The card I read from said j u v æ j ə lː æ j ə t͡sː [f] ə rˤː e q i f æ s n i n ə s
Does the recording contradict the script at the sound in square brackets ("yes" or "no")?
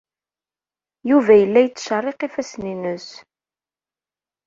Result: yes